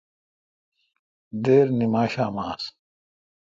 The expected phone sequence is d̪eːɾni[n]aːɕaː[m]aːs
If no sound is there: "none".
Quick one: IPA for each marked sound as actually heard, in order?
m, m

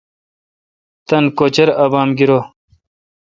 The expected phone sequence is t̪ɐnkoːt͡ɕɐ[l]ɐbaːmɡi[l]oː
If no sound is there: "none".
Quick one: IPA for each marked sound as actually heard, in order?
ɾ, ɾ

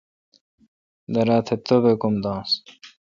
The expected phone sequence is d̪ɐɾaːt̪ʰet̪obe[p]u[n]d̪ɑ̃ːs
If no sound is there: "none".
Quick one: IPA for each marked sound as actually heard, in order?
k, m

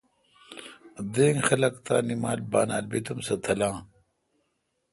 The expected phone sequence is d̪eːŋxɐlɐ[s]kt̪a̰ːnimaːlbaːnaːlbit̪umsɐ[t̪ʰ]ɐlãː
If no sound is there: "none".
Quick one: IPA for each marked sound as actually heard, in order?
none, t̪ʰ

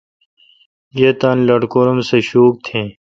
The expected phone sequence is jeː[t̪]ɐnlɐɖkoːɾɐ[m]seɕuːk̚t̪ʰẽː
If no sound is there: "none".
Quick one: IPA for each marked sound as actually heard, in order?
t̪, m

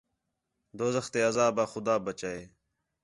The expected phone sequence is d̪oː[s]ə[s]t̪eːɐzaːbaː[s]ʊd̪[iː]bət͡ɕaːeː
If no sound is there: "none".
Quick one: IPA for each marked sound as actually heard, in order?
z, x, x, aː

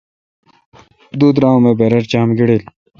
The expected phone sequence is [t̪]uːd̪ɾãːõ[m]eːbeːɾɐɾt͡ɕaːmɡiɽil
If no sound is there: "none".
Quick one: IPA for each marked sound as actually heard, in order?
d̪, m

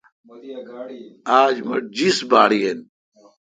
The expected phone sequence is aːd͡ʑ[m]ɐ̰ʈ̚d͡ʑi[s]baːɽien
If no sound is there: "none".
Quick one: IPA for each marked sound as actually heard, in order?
m, s

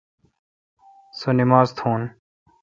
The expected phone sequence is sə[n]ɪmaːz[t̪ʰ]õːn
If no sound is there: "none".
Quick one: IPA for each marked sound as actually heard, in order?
n, t̪ʰ

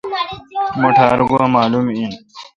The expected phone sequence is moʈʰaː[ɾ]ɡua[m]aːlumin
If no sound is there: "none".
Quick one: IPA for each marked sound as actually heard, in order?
ɾ, m

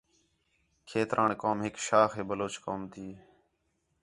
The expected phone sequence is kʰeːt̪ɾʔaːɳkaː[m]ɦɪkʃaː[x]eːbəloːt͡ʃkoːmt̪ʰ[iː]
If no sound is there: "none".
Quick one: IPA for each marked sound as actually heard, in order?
m, x, iː

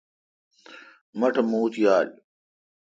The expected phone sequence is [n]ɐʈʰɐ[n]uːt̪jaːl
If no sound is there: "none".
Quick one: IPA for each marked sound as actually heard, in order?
m, m

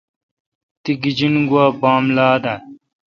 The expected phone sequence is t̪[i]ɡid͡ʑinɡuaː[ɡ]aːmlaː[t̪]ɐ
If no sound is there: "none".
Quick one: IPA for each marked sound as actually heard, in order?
i, b, d̪

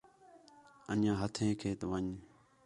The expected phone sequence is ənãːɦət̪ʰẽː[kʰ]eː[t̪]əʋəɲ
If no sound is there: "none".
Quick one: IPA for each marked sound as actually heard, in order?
kʰ, t̪

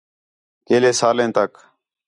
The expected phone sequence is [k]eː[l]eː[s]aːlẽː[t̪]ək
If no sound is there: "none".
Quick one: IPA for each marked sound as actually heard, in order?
k, l, s, t̪

